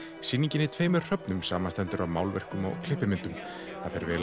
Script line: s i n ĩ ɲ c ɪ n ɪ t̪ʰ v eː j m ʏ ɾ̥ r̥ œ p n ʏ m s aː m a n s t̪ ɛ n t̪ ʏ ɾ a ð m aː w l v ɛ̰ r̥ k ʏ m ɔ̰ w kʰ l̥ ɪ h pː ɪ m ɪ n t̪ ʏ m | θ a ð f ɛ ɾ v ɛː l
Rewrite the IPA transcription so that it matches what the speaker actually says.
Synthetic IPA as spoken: s i n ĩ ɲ c ɪ n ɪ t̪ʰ v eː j m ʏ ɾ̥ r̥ œ p n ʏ m s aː m a n s t̪ ɛ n t̪ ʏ ɾ a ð m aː w l v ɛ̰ r̥ k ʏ m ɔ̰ ɣ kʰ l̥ ɪ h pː ɪ m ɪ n t̪ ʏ m | θ a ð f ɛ ɾ v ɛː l